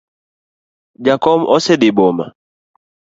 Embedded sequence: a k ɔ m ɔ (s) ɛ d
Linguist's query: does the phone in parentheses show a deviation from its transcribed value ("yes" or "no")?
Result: no